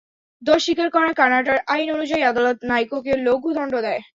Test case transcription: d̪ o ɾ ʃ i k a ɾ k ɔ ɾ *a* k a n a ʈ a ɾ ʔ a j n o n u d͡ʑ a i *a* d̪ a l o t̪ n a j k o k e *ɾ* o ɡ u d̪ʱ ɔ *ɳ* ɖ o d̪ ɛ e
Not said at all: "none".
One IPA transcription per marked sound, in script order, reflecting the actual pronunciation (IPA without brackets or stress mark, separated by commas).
a, a, l, ɳ